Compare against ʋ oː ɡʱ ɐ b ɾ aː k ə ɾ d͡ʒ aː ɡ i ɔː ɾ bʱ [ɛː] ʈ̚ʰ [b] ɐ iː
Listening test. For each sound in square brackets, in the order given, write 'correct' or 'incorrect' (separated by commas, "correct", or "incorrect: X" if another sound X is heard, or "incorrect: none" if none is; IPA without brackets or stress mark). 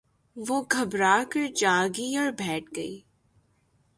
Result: correct, incorrect: ɡ